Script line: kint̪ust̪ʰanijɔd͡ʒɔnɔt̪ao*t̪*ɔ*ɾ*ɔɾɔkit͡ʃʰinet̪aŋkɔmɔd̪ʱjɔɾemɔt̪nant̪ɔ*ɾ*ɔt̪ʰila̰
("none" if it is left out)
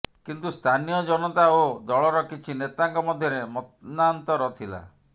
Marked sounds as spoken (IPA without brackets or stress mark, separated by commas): d̪, ɭ, ɾ